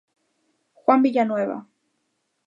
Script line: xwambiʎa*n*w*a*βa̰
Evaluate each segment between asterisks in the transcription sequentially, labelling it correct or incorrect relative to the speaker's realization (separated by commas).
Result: correct, incorrect